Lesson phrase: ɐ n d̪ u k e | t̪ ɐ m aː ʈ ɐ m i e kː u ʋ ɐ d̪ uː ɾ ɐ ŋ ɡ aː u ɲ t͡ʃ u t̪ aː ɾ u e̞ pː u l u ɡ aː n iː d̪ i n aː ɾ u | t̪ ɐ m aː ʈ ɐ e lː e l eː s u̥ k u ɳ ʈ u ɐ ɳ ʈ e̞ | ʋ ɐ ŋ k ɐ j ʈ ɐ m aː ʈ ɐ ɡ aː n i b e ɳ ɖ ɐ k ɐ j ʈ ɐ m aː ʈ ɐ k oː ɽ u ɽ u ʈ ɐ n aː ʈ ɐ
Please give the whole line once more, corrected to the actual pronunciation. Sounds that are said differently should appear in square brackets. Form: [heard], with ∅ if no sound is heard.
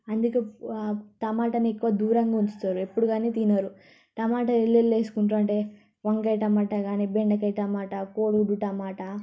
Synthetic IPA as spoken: ɐ n d̪ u k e | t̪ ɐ m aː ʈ ɐ [n] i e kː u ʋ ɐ d̪ uː ɾ ɐ ŋ ɡ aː u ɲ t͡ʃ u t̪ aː ɾ u e̞ pː u [ɽ] u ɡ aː n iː [t̪] i n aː ɾ u | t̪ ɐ m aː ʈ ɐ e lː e l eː s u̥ k u ɳ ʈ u ɐ ɳ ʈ e̞ | ʋ ɐ ŋ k ɐ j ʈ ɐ m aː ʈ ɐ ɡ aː n i b e ɳ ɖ ɐ k ɐ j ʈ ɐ m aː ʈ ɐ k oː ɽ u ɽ u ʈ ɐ [m] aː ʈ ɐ

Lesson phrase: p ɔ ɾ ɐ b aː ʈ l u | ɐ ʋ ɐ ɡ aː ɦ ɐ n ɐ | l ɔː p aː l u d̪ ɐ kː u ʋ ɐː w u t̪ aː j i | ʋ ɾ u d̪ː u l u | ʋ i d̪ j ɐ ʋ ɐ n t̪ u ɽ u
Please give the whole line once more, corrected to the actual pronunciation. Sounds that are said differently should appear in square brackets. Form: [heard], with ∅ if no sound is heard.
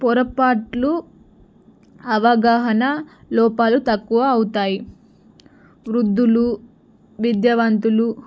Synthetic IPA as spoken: p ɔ ɾ ɐ [p] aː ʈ l u | ɐ ʋ ɐ ɡ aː ɦ ɐ n ɐ | l ɔː p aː l u [t̪] ɐ kː u ʋ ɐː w u t̪ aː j i | ʋ ɾ u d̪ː u l u | ʋ i d̪ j ɐ ʋ ɐ n t̪ u [l] u

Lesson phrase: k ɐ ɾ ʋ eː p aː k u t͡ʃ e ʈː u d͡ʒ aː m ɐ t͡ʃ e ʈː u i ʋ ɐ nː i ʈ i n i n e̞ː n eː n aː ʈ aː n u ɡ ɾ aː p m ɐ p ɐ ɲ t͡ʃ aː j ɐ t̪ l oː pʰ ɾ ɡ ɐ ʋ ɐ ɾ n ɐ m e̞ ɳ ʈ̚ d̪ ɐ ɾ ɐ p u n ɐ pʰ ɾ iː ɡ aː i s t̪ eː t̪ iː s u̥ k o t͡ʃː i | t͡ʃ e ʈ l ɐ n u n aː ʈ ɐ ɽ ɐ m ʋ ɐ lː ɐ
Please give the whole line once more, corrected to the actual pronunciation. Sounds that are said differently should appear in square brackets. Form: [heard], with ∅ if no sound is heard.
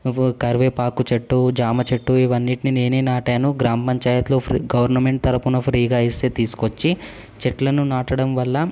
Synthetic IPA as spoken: k ɐ ɾ ʋ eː p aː k u t͡ʃ e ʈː u d͡ʒ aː m ɐ t͡ʃ e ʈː u i ʋ ɐ nː i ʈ i n i n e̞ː n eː n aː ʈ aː n u ɡ ɾ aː [∅] m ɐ p ɐ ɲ t͡ʃ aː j ɐ t̪ l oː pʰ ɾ ɡ ɐ ʋ ɐ ɾ n ɐ m e̞ ɳ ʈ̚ [t̪] ɐ ɾ ɐ p u n ɐ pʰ ɾ iː ɡ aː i s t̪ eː t̪ iː s u̥ k o t͡ʃː i | t͡ʃ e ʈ l ɐ n u n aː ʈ ɐ ɽ ɐ m ʋ ɐ lː ɐ

